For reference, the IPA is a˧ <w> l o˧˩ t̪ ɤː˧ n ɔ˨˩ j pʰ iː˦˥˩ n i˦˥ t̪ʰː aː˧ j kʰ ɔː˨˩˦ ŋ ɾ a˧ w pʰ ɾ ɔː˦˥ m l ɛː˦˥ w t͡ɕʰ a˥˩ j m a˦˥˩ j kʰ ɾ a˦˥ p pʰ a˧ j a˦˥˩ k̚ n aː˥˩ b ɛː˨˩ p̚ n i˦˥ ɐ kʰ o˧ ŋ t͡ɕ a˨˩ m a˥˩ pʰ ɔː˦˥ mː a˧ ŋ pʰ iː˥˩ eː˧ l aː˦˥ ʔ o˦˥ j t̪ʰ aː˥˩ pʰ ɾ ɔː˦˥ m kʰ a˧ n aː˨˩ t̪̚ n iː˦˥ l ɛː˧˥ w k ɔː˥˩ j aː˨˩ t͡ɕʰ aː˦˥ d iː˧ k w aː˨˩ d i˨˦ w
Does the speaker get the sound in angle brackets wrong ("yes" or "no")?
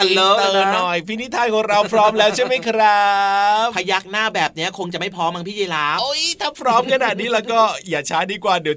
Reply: yes